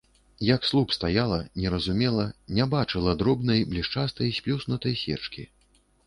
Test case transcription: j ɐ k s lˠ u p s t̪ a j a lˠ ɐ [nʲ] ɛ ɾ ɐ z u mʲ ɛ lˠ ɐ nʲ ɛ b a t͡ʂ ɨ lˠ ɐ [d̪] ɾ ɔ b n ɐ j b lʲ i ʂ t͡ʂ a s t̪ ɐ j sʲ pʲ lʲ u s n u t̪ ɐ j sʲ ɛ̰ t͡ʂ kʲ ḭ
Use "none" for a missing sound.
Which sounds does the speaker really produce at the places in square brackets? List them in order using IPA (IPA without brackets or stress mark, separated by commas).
nʲ, d̪